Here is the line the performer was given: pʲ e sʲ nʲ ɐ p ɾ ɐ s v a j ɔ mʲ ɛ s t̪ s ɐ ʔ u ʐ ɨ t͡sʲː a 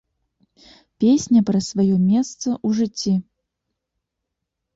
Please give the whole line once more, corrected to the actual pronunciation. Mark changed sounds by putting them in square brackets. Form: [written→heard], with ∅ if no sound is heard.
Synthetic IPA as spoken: pʲ e sʲ nʲ ɐ p ɾ ɐ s v a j ɔ mʲ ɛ s t̪ s ɐ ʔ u ʐ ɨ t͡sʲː [a→i]